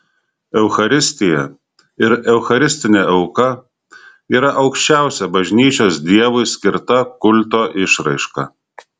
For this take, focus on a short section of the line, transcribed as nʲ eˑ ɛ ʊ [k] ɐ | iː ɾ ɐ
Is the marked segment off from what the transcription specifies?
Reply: no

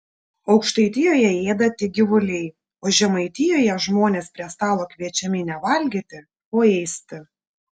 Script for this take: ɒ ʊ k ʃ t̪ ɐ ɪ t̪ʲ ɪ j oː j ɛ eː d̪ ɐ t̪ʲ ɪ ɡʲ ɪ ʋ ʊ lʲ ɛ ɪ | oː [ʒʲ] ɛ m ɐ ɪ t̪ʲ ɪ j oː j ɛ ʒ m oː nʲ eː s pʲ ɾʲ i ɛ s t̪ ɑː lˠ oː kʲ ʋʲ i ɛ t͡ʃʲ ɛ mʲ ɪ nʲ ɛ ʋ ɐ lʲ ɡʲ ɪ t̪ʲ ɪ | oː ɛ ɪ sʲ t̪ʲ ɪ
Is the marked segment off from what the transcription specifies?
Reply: no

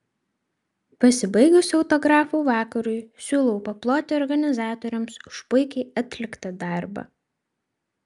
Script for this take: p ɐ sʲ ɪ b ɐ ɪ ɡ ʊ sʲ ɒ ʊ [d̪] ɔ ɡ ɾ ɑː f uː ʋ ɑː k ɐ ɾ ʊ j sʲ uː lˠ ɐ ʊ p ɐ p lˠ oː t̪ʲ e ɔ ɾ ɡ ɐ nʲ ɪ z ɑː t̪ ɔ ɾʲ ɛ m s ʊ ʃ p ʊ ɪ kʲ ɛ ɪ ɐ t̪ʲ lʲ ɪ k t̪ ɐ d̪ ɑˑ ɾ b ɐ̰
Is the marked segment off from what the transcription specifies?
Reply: yes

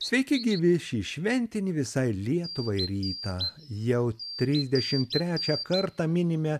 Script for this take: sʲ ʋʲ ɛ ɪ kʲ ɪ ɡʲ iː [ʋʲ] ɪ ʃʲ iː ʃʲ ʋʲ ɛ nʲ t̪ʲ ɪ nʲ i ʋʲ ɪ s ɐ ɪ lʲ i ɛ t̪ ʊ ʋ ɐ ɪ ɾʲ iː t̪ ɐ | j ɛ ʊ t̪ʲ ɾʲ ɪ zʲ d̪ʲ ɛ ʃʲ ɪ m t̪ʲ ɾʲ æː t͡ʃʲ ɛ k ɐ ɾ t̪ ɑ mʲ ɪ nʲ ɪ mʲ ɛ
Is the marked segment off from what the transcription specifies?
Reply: no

